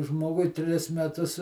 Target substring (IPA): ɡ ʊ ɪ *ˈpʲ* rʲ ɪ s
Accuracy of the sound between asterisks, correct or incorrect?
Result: incorrect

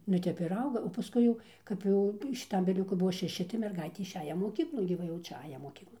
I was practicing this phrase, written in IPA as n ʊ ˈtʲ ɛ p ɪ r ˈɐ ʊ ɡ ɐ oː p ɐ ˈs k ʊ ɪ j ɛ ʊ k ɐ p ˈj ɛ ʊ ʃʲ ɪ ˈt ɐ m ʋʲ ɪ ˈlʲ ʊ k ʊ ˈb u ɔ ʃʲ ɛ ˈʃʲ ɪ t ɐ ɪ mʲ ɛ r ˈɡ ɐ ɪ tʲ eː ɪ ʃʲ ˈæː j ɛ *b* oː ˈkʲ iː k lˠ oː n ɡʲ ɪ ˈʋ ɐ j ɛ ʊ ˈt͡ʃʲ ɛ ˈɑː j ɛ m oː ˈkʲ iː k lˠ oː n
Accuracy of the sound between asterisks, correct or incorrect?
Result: incorrect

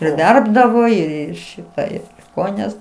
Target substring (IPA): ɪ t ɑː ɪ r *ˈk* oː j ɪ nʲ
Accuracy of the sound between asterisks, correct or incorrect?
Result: correct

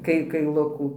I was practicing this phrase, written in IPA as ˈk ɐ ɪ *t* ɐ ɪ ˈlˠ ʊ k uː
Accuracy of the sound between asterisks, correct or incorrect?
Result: incorrect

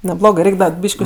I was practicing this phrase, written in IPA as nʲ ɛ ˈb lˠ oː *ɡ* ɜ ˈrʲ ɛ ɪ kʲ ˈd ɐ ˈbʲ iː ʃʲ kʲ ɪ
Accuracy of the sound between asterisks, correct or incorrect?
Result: correct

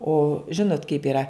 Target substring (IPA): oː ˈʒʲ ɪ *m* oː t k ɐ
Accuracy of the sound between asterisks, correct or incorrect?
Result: incorrect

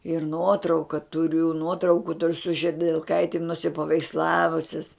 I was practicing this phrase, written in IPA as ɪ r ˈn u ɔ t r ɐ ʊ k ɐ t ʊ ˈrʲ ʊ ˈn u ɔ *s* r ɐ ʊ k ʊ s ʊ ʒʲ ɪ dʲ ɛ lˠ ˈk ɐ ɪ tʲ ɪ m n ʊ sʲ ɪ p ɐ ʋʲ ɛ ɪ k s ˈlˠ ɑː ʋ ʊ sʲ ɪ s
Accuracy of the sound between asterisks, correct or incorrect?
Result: incorrect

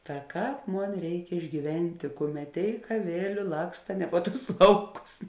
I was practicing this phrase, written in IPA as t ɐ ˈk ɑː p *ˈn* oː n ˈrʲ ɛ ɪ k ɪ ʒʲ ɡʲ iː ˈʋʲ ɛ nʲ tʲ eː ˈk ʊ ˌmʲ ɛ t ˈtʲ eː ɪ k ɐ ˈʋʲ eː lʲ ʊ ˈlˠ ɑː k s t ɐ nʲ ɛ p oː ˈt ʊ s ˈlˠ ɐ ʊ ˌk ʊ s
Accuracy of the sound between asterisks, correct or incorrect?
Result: incorrect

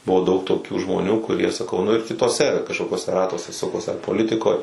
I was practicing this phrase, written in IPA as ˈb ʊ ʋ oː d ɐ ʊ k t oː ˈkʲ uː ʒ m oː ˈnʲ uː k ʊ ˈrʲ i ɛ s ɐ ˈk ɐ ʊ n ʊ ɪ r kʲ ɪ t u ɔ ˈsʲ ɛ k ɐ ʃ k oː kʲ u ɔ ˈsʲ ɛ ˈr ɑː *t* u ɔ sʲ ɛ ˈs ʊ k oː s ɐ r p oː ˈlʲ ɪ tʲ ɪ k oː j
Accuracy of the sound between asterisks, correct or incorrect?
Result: correct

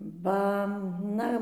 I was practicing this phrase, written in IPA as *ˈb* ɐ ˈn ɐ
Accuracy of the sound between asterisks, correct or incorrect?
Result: correct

